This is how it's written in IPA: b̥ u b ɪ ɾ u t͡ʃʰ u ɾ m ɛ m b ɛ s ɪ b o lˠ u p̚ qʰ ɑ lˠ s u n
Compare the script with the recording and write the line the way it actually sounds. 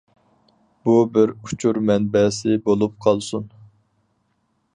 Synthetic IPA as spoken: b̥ u b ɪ ɾ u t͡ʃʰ u ɾ m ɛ n b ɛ s ɪ b o lˠ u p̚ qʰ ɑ lˠ s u n